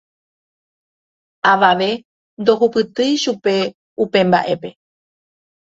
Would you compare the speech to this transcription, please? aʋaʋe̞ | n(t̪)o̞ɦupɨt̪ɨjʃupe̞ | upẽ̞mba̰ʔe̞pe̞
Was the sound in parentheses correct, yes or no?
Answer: no